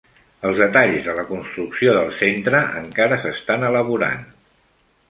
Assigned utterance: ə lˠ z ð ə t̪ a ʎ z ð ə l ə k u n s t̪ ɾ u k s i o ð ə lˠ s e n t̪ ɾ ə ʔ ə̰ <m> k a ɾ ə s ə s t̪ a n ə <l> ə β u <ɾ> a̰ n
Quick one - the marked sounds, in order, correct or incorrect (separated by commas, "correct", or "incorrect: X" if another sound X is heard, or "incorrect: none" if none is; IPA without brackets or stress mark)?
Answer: incorrect: ŋ, correct, correct